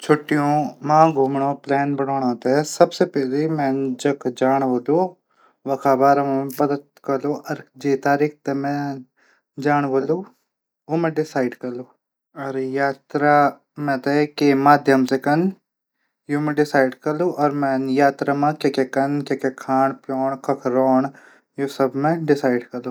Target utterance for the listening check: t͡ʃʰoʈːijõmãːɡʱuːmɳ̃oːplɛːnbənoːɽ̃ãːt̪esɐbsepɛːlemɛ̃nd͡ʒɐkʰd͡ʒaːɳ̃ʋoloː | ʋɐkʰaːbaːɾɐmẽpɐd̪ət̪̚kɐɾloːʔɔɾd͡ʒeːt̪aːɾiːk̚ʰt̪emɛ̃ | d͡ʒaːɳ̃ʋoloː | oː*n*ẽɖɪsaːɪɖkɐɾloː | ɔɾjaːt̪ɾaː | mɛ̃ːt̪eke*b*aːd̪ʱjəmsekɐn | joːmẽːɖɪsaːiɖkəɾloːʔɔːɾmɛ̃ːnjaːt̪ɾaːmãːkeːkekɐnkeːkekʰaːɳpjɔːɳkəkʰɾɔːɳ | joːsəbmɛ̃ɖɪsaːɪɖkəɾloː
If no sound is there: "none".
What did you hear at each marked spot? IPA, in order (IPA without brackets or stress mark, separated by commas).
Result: m, m